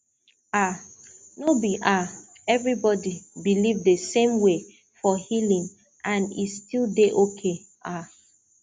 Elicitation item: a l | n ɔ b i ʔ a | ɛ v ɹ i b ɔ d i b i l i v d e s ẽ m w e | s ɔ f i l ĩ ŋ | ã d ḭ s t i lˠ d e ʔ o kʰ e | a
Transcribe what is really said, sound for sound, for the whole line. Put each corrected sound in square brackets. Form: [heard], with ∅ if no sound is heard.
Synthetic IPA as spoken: a [∅] | n [o] b i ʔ a | ɛ v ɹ i b ɔ d i b i l i v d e s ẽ m w e | [f] ɔ [h] i l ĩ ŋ | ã [n] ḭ s t i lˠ d e ʔ o kʰ e | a